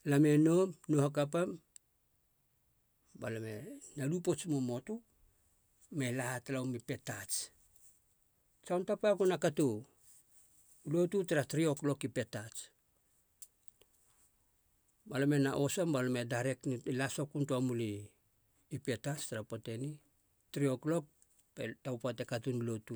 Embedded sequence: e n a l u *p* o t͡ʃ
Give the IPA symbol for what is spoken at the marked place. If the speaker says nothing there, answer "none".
p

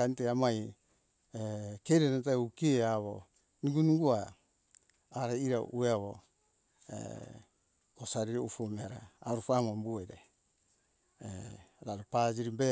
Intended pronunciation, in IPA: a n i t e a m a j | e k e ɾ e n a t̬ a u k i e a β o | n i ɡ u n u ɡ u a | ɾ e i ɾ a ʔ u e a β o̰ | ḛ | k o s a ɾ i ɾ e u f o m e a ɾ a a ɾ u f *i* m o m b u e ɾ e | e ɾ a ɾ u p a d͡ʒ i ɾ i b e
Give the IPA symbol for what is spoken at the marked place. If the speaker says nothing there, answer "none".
a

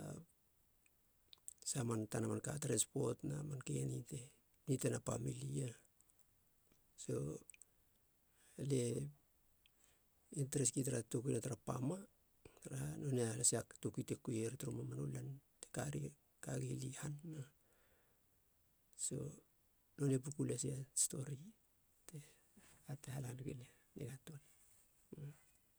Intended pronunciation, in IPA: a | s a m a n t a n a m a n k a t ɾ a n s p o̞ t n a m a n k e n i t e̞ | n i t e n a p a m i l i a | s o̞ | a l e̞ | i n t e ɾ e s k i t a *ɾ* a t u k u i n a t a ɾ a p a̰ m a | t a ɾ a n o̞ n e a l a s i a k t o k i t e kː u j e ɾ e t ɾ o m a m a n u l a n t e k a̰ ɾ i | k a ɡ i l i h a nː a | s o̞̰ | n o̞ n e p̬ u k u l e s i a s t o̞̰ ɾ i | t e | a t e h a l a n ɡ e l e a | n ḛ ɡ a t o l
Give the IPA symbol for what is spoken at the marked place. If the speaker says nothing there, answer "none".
ɾ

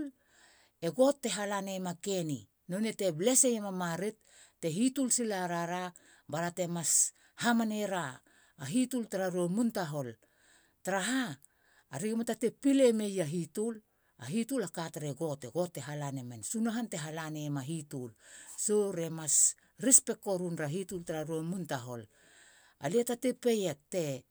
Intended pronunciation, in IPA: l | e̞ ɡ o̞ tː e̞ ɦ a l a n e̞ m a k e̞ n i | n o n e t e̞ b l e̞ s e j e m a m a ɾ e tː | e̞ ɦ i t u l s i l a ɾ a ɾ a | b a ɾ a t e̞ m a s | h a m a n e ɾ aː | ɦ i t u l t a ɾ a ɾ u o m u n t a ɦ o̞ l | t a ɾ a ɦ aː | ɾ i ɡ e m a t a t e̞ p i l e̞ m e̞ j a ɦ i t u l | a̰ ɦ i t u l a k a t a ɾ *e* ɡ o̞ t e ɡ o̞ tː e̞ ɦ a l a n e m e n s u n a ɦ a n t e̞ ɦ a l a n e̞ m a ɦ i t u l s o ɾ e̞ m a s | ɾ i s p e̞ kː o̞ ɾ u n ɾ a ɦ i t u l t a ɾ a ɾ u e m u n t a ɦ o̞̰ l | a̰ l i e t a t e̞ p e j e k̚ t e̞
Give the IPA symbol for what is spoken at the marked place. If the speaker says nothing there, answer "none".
e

